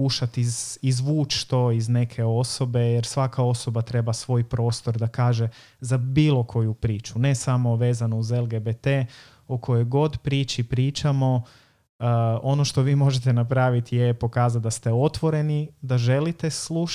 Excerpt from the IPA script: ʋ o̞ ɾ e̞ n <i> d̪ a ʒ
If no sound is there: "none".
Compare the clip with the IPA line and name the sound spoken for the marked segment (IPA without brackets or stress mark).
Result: i